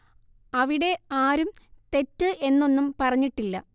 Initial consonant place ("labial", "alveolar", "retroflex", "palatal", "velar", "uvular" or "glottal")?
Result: labial